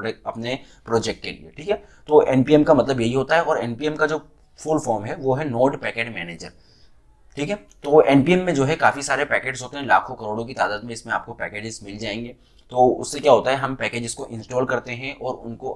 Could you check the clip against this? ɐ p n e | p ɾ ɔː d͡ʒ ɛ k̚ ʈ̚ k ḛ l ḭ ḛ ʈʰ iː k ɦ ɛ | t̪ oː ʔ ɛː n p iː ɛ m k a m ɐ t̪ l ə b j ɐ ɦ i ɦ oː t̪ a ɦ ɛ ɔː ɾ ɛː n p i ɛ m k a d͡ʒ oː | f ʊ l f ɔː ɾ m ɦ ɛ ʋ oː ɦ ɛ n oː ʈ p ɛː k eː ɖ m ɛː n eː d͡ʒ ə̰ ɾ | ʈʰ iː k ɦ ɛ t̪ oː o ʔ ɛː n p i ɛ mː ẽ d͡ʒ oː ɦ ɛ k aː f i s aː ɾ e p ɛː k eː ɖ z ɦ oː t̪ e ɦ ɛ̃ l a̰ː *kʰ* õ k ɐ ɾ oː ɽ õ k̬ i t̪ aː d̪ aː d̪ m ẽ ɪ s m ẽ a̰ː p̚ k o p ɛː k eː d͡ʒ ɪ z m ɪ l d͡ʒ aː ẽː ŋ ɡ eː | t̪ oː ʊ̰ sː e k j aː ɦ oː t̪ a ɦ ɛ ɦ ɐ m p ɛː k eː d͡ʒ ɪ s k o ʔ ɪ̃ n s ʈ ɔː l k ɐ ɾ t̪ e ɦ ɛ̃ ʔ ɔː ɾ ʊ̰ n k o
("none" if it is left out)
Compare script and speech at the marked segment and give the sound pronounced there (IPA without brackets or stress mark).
kʰ